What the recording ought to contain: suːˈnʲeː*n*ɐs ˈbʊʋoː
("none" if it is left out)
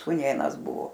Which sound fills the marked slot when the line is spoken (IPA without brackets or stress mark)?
n